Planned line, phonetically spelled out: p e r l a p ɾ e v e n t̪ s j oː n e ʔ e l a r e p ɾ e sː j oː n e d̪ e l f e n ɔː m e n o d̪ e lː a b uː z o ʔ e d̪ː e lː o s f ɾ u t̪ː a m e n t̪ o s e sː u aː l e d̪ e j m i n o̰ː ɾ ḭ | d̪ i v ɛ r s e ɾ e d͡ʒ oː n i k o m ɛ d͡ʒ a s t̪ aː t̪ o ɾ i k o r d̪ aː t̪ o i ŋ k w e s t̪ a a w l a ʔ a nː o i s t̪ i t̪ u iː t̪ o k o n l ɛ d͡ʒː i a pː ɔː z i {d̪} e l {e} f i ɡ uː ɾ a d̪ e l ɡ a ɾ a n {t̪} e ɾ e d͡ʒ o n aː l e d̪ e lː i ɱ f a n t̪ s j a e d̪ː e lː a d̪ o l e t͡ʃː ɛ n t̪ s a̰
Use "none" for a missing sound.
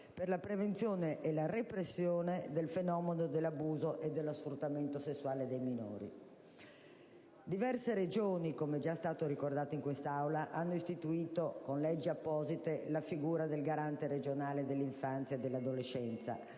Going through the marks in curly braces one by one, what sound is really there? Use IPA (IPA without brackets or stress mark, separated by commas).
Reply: t̪, a, t̪